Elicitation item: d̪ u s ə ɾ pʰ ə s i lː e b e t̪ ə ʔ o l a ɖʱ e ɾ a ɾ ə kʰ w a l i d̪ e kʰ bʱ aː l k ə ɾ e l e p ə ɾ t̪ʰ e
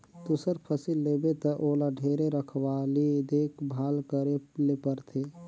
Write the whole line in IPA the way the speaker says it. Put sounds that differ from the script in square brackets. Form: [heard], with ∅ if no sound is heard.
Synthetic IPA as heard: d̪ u s ə ɾ pʰ ə s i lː e b e t̪ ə ʔ o l a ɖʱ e ɾ [e] ɾ ə kʰ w a l i d̪ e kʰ bʱ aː l k ə ɾ e l e p ə ɾ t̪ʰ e